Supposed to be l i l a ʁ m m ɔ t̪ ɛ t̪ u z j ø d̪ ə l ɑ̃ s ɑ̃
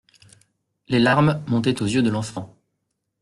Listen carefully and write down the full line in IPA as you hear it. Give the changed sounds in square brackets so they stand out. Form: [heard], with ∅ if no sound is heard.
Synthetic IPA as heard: l [e] l a ʁ m m [ɔ̃] t̪ ɛ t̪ [o] z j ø d̪ ə l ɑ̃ [f] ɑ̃